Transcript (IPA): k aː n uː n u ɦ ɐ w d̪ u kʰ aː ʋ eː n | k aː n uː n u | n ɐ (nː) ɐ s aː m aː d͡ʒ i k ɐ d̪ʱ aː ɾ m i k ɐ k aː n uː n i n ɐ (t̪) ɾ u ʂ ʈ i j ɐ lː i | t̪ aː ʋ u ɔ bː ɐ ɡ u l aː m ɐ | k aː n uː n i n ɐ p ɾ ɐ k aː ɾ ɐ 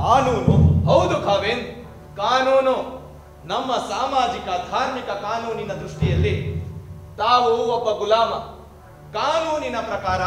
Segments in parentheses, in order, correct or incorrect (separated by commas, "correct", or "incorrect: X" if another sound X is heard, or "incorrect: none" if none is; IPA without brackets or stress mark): incorrect: mː, incorrect: d̪